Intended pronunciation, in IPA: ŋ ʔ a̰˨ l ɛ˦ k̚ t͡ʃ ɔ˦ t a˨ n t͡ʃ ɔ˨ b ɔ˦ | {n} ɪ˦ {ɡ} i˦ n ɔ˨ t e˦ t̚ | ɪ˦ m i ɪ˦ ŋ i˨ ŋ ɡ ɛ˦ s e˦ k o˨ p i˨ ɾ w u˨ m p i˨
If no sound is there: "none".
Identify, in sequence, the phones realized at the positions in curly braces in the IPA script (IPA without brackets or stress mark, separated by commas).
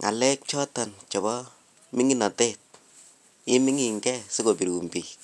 m, ŋ